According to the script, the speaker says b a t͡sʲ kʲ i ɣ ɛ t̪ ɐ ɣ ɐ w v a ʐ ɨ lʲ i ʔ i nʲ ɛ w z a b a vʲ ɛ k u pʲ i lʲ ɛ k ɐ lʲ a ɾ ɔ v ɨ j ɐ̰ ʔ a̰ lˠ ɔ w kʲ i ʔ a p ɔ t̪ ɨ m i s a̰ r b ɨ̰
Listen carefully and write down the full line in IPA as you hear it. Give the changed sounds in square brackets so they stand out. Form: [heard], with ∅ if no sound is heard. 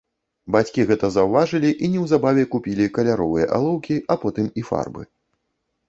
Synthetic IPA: b a t͡sʲ kʲ i ɣ ɛ t̪ ɐ [z] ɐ w v a ʐ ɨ lʲ i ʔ i nʲ ɛ w z a b a vʲ ɛ k u pʲ i lʲ [i] k ɐ lʲ a ɾ ɔ v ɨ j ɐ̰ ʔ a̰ lˠ ɔ w kʲ i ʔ a p ɔ t̪ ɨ m i [f] a̰ r b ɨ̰

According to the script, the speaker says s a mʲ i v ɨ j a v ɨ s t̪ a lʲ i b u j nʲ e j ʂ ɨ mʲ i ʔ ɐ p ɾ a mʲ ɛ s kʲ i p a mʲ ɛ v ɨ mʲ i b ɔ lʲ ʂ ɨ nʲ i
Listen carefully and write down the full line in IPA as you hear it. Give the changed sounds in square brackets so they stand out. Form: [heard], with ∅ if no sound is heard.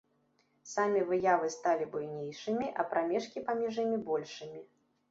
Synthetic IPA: s a mʲ i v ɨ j a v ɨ s t̪ a lʲ i b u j nʲ e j ʂ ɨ mʲ i ʔ ɐ p ɾ a mʲ ɛ [ʂ] kʲ i p a mʲ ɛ [ʐ] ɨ mʲ i b ɔ lʲ ʂ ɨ [mʲ] i

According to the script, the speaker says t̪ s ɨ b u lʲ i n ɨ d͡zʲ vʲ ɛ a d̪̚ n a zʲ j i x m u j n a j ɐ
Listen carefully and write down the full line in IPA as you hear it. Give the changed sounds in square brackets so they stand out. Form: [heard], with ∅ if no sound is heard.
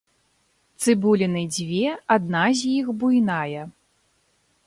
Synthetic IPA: t̪ s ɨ b u lʲ i n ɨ d͡zʲ vʲ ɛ a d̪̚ n a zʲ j i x [b] u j n a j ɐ

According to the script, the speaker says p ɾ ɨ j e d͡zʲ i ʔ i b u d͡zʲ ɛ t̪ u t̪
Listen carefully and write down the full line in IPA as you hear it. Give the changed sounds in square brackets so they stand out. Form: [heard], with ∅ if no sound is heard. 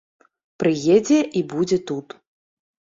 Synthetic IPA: p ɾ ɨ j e d͡zʲ [ɛ] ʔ i b u d͡zʲ ɛ t̪ u t̪

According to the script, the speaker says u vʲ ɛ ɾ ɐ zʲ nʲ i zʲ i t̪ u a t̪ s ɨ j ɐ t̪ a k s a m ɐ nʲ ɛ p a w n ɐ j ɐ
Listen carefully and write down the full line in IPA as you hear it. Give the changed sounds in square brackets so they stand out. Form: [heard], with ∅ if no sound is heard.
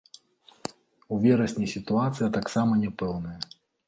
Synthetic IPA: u vʲ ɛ ɾ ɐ [sʲ] nʲ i [sʲ] i t̪ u a t̪ s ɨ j ɐ t̪ a k s a m ɐ nʲ ɛ p [ɛ] w n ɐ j ɐ

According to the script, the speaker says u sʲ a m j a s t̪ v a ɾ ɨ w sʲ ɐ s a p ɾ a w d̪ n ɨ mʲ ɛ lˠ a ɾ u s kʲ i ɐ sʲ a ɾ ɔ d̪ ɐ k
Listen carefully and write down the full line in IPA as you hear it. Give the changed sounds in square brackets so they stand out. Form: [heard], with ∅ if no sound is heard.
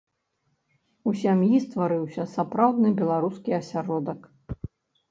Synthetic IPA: u sʲ a m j [i] s t̪ v a ɾ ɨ w sʲ ɐ s a p ɾ a w d̪ n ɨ [bʲ] ɛ lˠ a ɾ u s kʲ i ɐ sʲ a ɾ ɔ d̪ ɐ k

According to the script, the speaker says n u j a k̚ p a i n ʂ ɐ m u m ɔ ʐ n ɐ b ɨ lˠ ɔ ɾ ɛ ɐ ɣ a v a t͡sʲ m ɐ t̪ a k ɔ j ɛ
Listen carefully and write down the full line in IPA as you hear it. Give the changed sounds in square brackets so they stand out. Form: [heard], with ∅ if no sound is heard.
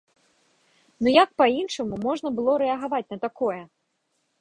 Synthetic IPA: n u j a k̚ p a i n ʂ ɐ m u m ɔ ʐ n ɐ b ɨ lˠ ɔ ɾ ɛ ɐ ɣ a v a t͡sʲ [n] ɐ t̪ a k ɔ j ɛ

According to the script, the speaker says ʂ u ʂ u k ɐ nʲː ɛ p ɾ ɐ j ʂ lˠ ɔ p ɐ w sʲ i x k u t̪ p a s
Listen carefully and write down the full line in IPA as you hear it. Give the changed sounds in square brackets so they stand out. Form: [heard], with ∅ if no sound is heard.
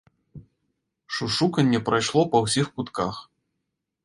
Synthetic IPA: ʂ u ʂ u k ɐ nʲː ɛ p ɾ [a] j ʂ lˠ ɔ p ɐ w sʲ i x k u t̪ [k] a [x]

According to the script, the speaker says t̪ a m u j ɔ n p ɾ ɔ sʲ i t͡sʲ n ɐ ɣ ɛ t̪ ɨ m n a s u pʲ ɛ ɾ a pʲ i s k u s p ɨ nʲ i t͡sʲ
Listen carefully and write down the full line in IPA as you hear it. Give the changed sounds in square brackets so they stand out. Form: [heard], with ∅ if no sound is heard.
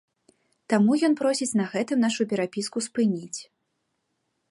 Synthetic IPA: t̪ a m u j ɔ n p ɾ ɔ sʲ i t͡sʲ n ɐ ɣ ɛ t̪ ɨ m n a [ʂ] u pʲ ɛ ɾ a pʲ i s k u s p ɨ nʲ i t͡sʲ

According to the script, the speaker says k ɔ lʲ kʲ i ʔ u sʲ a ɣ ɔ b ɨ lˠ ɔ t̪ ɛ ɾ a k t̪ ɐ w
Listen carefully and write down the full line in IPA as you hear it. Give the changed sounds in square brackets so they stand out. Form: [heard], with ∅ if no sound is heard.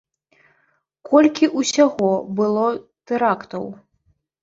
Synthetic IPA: k ɔ lʲ kʲ i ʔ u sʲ a ɣ ɔ b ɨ lˠ ɔ t̪ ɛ ɾ a k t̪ ɐ w

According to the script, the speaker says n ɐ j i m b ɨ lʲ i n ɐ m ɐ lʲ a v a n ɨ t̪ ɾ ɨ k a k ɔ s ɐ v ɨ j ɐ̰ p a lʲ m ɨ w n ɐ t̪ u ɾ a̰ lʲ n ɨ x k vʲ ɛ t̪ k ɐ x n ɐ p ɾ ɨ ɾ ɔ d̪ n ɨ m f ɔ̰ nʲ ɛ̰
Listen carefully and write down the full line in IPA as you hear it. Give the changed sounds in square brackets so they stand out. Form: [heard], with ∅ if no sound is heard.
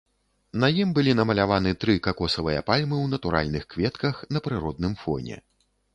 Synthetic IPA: n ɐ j i m b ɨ lʲ i n ɐ m ɐ lʲ a v a n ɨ t̪ ɾ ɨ k a k ɔ s ɐ v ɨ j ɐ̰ p a lʲ m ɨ w n ɐ t̪ u ɾ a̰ lʲ n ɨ x k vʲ ɛ t̪ k ɐ x n ɐ p ɾ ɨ ɾ ɔ d̪ n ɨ m f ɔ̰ nʲ ɛ̰

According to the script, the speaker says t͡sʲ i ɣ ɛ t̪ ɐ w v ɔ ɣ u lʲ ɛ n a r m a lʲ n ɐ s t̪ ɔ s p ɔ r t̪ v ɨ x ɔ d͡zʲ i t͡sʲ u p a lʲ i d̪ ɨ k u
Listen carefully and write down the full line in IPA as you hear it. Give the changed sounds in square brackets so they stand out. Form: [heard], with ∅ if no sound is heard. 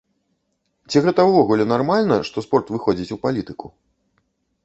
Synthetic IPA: t͡sʲ i ɣ ɛ t̪ ɐ w v ɔ ɣ u lʲ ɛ n a r m a lʲ n ɐ [ʂ] t̪ ɔ s p ɔ r t̪ v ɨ x ɔ d͡zʲ i t͡sʲ u p a lʲ i [t̪] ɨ k u

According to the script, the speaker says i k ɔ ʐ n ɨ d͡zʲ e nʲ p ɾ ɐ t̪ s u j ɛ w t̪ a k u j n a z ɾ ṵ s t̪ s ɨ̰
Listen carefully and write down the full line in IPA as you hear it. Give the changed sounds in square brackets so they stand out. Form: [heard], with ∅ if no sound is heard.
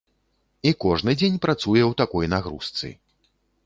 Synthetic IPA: i k ɔ ʐ n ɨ d͡zʲ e nʲ p ɾ [a] t̪ s u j ɛ w t̪ a k [ɔ] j n a [ɣ] ɾ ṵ s t̪ s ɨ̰

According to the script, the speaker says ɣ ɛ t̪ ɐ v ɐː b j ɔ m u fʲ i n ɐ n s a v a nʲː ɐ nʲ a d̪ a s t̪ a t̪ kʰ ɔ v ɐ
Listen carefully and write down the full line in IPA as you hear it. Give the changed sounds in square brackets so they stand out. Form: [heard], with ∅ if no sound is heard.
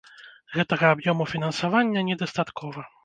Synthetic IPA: ɣ ɛ t̪ ɐ [ɣ] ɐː b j ɔ m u fʲ i n ɐ n s a v a nʲː ɐ nʲ [ɛ] d̪ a s t̪ a t̪ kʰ ɔ v ɐ

